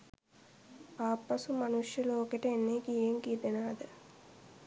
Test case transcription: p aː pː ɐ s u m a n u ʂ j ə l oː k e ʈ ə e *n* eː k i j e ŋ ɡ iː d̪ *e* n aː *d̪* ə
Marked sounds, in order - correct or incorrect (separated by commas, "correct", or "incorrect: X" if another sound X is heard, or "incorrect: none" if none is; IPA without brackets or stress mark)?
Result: incorrect: nː, correct, correct